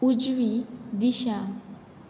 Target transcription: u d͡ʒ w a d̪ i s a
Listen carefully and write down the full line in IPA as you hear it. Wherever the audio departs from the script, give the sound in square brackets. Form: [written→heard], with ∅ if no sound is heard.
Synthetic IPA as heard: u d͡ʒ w [a→i] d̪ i [s→ʃ] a